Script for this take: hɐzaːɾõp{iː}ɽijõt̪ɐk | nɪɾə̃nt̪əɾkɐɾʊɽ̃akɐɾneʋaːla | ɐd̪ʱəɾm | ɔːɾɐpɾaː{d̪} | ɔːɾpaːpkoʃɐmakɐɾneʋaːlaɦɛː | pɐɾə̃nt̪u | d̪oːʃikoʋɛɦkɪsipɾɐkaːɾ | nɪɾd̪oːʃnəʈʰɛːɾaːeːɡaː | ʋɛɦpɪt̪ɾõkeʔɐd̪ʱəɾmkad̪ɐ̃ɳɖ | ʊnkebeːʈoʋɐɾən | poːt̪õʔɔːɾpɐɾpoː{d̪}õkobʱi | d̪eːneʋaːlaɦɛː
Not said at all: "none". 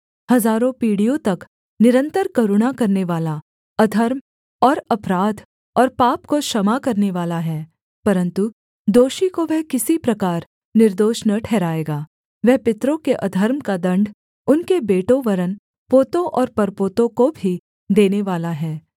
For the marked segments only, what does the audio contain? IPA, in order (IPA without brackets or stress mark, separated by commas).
iː, d̪, t̪